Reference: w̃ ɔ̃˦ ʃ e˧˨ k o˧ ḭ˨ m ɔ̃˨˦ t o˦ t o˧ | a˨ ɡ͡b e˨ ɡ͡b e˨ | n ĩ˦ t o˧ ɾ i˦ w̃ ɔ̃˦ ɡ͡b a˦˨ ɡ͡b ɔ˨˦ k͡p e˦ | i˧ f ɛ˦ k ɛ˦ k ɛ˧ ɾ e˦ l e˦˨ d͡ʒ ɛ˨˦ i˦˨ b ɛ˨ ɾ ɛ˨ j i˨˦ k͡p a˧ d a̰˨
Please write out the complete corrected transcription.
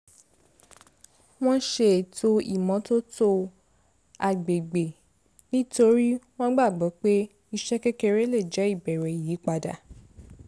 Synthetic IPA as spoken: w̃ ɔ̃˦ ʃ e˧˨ t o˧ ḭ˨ m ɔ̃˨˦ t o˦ t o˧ | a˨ ɡ͡b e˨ ɡ͡b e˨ | n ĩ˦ t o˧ ɾ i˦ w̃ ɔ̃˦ ɡ͡b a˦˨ ɡ͡b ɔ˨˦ k͡p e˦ | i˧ ʃ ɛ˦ k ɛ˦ k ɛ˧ ɾ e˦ l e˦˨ d͡ʒ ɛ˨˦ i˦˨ b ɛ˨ ɾ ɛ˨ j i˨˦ k͡p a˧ d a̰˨